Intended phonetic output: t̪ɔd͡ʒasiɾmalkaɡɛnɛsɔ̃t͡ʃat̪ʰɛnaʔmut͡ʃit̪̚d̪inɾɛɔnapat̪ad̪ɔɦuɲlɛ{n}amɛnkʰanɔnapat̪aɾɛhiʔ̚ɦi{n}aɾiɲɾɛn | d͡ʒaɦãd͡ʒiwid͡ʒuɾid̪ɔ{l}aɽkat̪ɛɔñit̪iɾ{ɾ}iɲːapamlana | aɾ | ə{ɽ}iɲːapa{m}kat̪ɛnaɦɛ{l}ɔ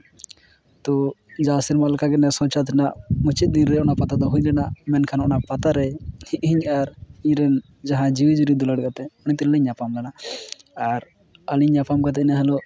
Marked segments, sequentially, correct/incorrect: correct, incorrect: ɲ, correct, incorrect: l, incorrect: l, correct, correct

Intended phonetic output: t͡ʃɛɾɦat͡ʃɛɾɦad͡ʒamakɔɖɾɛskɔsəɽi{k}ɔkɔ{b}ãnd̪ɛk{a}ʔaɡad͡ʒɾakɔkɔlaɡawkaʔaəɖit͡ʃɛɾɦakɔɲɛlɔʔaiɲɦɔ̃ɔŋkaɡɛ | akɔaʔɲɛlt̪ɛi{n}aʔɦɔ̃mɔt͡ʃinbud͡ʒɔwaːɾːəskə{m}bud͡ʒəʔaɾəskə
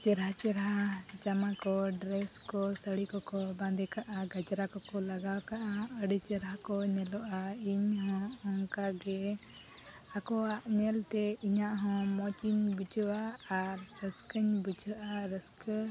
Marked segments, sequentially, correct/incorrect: correct, correct, correct, incorrect: ɲ, incorrect: ɲ

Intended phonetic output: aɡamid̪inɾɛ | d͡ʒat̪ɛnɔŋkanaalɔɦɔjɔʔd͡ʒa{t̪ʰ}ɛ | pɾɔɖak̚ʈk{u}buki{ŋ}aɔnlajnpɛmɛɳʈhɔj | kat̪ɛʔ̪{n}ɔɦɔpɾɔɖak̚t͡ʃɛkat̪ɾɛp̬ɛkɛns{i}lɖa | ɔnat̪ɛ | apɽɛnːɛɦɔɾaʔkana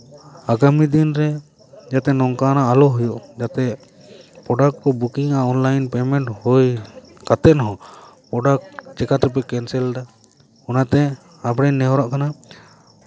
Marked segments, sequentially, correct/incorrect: incorrect: t̪, incorrect: ɔ, correct, correct, incorrect: ɛ

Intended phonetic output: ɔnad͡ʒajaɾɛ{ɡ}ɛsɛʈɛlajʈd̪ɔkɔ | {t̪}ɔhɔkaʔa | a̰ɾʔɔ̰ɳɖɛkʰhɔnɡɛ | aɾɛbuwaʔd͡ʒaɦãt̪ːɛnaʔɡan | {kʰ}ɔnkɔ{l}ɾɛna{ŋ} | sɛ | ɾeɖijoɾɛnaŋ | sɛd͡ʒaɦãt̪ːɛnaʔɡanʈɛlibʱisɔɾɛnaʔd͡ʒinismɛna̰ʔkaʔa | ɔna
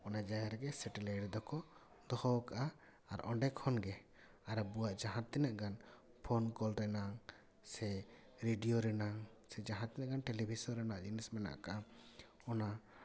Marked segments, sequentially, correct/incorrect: correct, incorrect: d̪, incorrect: pʰ, correct, correct

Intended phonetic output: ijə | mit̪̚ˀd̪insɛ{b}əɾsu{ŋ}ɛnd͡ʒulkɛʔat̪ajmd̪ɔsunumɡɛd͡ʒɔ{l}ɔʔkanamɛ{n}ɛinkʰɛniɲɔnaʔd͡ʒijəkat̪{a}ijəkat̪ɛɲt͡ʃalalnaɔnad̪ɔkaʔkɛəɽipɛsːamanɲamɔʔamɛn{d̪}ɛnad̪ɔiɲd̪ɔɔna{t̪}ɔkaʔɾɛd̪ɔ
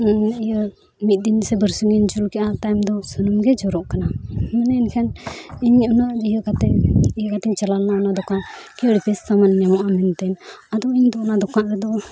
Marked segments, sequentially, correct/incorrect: correct, correct, incorrect: ɾ, correct, incorrect: ɛ, incorrect: t̪, incorrect: d̪

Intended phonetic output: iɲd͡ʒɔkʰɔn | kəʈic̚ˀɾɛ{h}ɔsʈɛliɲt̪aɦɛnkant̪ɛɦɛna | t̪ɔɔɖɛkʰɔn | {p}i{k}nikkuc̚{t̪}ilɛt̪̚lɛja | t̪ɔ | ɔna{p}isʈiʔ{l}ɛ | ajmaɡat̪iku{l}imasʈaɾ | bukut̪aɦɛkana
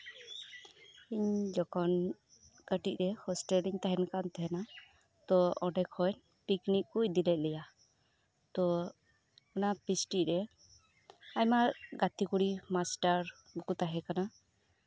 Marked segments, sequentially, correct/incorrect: correct, correct, correct, incorrect: d̪, correct, incorrect: ɾ, incorrect: ɽ

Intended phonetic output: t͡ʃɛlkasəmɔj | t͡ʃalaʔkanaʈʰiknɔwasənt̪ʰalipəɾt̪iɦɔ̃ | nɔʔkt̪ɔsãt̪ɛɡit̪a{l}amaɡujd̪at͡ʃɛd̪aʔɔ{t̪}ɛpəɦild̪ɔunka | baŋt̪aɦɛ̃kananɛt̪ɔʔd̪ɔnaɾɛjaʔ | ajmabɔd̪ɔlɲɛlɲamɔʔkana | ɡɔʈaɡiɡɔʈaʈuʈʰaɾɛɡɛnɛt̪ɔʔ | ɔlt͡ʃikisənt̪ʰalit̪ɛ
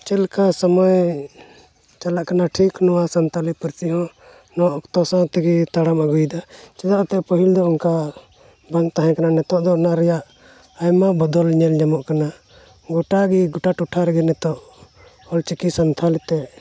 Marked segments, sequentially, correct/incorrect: incorrect: ɽ, correct

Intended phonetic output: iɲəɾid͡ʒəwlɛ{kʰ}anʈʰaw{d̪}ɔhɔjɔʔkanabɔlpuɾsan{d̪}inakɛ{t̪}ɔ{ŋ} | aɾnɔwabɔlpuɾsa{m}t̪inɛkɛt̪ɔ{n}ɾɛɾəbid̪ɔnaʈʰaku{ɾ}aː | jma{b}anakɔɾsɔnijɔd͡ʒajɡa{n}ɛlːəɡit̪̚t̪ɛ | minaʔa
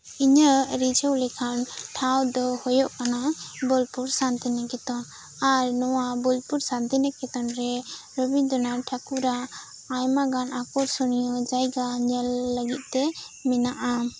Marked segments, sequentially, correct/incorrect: correct, correct, incorrect: t̪, correct, incorrect: n, incorrect: n, correct, correct, incorrect: ɡ, incorrect: ɲ

